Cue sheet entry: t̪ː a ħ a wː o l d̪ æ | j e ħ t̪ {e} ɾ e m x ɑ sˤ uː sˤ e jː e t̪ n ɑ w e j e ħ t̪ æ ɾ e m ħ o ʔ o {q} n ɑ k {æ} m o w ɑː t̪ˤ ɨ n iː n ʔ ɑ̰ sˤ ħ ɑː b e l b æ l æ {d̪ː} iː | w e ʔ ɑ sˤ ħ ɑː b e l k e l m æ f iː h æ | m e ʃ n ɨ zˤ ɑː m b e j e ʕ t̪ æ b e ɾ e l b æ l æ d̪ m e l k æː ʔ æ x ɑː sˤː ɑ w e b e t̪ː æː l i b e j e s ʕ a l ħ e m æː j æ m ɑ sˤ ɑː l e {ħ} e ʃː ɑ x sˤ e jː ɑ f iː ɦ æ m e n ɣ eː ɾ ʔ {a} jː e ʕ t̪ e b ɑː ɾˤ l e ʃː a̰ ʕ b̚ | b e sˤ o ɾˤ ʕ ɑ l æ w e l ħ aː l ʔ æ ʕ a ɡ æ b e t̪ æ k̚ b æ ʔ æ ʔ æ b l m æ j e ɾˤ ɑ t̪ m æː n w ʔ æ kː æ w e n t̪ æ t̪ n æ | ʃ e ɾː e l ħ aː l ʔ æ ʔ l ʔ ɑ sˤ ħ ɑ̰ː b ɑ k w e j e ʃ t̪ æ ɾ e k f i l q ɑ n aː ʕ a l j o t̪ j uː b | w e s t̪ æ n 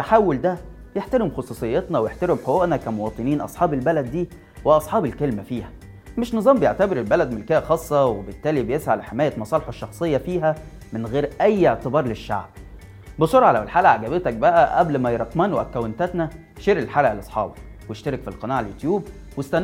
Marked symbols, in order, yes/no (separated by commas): no, no, yes, yes, yes, no